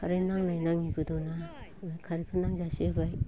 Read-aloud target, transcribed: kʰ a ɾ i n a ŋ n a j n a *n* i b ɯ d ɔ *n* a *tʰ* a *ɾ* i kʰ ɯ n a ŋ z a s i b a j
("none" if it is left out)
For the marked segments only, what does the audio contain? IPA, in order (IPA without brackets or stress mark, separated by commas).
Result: ŋ, n, kʰ, ɾ